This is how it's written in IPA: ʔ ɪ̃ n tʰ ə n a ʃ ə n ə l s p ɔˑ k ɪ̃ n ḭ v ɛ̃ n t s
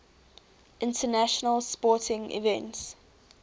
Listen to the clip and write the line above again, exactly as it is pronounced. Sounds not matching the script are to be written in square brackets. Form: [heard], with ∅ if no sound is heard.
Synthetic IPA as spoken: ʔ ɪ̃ n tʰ ə n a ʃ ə n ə l s p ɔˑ [t] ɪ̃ [ŋ] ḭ v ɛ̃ n t s